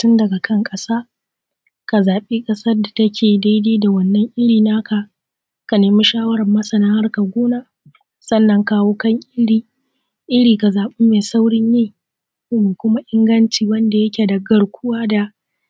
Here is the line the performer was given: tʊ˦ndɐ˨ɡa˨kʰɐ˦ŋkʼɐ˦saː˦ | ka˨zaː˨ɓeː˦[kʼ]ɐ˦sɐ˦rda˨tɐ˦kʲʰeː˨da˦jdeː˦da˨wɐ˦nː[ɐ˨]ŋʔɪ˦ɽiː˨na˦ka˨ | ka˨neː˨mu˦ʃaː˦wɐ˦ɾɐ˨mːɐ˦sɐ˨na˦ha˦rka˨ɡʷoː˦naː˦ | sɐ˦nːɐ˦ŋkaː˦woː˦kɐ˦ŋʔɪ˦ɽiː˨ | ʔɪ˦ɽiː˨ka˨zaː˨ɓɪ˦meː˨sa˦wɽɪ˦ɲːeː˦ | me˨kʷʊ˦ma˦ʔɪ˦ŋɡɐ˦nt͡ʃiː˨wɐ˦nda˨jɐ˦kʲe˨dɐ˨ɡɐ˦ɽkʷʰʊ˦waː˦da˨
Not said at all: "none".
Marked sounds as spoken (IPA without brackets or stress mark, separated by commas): kʼ, ɐ˦